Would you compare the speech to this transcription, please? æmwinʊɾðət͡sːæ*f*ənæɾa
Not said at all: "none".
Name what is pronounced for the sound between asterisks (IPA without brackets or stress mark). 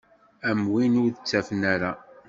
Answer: f